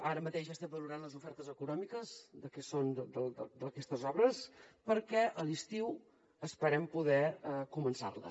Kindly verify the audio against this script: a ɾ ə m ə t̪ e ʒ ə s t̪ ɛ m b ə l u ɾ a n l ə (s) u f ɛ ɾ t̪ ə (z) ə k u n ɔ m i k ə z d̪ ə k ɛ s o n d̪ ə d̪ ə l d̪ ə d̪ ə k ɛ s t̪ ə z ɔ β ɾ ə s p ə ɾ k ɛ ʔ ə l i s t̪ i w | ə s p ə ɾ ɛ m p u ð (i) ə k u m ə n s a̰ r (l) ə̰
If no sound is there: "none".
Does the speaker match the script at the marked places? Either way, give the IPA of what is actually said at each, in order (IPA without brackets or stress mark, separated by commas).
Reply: z, z, ɛ, l